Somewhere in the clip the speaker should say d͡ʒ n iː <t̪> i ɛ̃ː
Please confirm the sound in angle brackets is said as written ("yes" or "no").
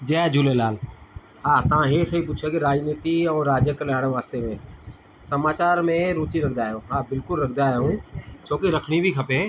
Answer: yes